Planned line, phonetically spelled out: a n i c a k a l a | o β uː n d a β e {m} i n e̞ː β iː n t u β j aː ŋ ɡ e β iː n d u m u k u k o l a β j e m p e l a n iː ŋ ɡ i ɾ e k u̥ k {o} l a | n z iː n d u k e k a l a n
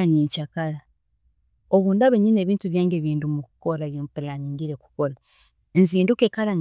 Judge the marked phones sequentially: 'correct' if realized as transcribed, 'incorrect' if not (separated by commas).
incorrect, correct